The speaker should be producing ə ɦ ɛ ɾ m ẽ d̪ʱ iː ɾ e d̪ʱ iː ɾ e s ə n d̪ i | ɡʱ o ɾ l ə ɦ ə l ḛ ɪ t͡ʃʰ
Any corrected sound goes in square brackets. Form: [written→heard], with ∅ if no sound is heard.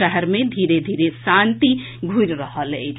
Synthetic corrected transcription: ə ɦ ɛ ɾ m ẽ d̪ʱ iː ɾ e d̪ʱ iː ɾ e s [ə→a] n [d̪→t̪] i | ɡʱ [o→u] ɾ [l→ɾ] ə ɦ ə l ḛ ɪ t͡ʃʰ